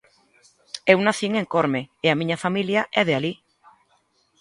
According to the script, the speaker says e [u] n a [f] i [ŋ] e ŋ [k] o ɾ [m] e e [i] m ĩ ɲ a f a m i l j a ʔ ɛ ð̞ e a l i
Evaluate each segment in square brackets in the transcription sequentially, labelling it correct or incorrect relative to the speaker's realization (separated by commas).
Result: incorrect, incorrect, correct, correct, correct, incorrect